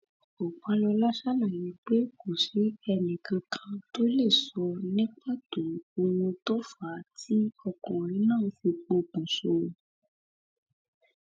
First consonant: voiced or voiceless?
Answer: voiceless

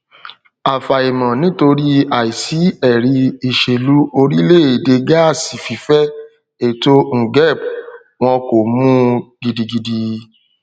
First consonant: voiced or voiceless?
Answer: voiceless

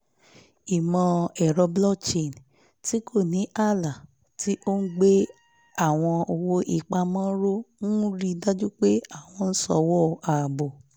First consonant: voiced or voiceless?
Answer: voiced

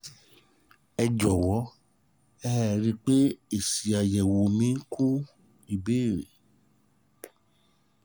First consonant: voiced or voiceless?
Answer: voiced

